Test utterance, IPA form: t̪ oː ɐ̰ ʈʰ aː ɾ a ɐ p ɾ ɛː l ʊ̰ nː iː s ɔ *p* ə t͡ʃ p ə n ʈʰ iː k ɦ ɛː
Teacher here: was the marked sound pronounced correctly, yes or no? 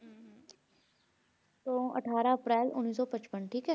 yes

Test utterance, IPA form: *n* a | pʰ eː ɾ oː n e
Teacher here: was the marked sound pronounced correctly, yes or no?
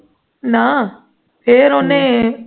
yes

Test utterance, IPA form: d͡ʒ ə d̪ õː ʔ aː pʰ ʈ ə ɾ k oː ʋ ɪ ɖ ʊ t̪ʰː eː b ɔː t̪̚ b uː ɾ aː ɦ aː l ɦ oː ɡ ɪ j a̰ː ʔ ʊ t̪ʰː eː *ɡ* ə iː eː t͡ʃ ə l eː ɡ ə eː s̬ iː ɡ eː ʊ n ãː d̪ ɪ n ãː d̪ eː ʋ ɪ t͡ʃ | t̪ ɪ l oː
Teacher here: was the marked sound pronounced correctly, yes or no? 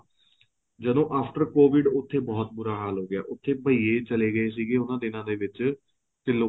no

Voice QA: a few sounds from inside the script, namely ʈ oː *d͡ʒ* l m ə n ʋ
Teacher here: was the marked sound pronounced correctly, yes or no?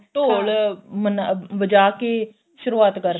no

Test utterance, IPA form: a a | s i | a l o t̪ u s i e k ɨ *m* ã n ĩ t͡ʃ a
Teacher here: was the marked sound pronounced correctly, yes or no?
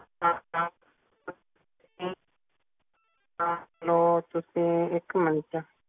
yes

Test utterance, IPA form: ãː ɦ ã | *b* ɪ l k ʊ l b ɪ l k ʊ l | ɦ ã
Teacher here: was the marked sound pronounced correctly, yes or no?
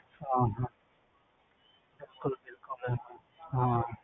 yes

